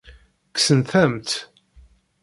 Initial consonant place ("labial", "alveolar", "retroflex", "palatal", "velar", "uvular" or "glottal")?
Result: velar